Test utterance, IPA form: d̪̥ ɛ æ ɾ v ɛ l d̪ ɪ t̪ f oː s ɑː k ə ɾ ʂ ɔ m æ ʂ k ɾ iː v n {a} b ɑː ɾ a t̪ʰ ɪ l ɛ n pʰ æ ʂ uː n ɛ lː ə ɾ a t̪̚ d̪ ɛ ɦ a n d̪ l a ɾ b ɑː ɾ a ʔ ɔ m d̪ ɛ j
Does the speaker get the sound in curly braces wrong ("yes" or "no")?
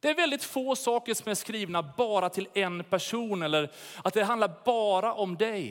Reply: no